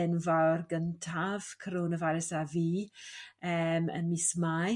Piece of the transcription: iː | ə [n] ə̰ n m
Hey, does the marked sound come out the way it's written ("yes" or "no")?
no